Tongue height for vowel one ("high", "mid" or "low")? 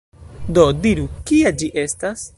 mid